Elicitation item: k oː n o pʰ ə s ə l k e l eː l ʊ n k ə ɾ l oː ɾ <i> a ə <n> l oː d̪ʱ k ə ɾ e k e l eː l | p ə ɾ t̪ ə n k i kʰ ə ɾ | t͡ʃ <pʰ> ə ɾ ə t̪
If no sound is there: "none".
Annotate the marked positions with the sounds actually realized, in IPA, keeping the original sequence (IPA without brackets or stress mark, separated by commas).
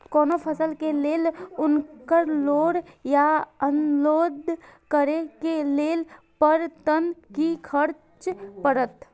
j, n, p